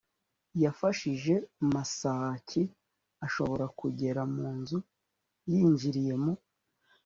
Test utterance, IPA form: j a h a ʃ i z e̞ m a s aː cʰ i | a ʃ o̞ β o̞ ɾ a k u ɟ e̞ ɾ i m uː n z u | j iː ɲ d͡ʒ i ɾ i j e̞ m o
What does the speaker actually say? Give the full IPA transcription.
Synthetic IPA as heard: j a f a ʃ i ʒ e̞ m a s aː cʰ i | a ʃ o̞ β o̞ ɾ a k u ɟ e̞ ɾ a m uː n z u | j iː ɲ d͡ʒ i ɾ i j e̞ m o